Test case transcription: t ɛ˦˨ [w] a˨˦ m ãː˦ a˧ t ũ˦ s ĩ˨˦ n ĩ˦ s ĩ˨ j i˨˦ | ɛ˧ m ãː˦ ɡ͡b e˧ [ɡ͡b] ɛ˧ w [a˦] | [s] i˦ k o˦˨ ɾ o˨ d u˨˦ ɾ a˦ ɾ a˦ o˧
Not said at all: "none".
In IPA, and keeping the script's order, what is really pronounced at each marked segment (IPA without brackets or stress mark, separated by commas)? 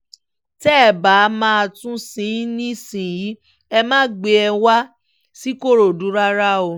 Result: b, none, a˦, s